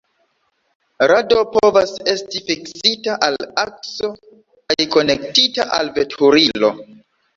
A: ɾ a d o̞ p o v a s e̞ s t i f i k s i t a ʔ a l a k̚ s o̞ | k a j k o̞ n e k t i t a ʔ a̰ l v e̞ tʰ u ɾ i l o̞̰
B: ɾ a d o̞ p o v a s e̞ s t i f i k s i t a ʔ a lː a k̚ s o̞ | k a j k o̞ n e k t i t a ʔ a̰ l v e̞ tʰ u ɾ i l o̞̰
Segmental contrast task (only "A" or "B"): A